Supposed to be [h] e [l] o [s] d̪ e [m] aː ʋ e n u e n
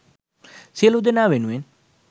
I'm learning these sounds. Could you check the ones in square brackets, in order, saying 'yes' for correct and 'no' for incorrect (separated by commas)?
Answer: no, yes, no, no